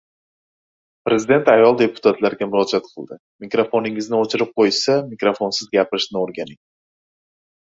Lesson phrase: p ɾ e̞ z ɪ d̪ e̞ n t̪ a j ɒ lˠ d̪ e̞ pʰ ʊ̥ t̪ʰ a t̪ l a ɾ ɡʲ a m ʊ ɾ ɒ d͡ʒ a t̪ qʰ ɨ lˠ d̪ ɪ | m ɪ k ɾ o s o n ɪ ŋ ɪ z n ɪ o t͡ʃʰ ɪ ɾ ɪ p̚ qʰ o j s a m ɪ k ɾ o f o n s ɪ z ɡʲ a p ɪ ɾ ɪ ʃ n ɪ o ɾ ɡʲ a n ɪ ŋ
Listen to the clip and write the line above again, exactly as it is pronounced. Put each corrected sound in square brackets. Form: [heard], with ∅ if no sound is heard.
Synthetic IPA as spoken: p ɾ e̞ z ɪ d̪ e̞ n t̪ a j ɒ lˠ d̪ e̞ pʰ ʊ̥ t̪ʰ a t̪ l a ɾ ɡʲ a m ʊ ɾ ɒ d͡ʒ a t̪ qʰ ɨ lˠ d̪ ɪ | m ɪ k ɾ o [f] o n ɪ ŋ ɪ z n ɪ o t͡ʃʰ ɪ ɾ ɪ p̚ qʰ o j s a m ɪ k ɾ o f o n s ɪ z ɡʲ a p ɪ ɾ ɪ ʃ n ɪ o ɾ ɡʲ a n ɪ ŋ